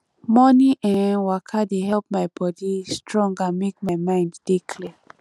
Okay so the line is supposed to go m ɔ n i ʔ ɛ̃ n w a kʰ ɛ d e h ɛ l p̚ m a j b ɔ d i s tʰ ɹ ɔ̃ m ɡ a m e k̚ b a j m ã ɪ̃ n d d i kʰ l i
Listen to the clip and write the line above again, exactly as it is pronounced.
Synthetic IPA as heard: m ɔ n i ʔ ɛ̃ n w a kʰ a d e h ɛ l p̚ m a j b ɔ d i s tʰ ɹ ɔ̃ ŋ ɡ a m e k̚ m a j m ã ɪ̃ n d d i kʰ l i